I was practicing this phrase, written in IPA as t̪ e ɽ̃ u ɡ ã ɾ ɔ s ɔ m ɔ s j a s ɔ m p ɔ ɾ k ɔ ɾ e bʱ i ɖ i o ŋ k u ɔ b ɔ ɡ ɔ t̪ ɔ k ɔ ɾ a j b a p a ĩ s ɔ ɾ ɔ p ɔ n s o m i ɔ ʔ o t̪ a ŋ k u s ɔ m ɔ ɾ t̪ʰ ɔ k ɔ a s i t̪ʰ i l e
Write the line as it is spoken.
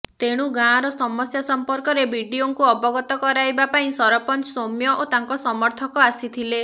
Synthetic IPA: t̪ e ɽ̃ u ɡ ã ɾ ɔ s ɔ m ɔ s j a s ɔ m p ɔ ɾ k ɔ ɾ e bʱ i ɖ i o ŋ k u ɔ b ɔ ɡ ɔ t̪ ɔ k ɔ ɾ a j b a p a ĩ s ɔ ɾ ɔ p ɔ n s o m j ɔ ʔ o t̪ a ŋ k ɔ s ɔ m ɔ ɾ t̪ʰ ɔ k ɔ a s i t̪ʰ i l e